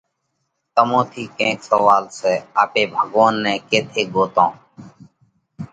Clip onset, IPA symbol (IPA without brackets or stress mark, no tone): t̪